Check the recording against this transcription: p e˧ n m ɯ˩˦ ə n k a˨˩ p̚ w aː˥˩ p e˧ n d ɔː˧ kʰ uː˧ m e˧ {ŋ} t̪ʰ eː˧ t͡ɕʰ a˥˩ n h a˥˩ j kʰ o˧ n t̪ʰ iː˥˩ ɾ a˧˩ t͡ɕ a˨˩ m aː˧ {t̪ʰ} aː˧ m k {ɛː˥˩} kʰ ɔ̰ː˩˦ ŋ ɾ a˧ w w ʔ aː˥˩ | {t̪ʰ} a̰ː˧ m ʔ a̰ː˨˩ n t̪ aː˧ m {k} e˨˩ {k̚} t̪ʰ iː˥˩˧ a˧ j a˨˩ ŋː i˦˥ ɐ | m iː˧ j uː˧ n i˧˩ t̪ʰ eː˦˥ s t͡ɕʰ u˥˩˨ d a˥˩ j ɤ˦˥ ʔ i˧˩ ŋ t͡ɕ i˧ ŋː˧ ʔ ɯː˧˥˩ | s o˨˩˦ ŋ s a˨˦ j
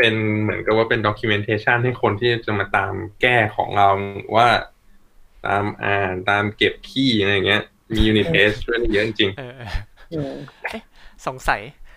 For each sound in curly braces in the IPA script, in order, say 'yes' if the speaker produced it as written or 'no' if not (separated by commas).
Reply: no, no, yes, no, yes, no